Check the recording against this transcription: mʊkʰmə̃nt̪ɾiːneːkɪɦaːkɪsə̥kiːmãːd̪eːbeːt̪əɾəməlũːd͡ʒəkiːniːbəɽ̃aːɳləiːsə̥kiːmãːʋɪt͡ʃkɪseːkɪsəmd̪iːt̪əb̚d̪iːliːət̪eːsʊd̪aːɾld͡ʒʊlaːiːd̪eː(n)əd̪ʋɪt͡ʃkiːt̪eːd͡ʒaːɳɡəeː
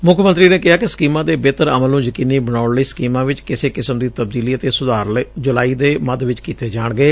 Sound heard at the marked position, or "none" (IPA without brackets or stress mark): m